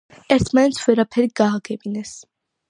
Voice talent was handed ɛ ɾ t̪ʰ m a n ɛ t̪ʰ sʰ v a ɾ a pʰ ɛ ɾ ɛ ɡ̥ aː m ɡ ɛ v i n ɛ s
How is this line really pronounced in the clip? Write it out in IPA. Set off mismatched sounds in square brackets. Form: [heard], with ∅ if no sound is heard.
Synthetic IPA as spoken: ɛ ɾ t̪ʰ m a n ɛ [t̪] sʰ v [ɛ] ɾ a pʰ ɛ ɾ [i] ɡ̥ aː [∅] ɡ ɛ [b] i n ɛ s